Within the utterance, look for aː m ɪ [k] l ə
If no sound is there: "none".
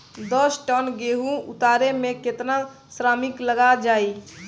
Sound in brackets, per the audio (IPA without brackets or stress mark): k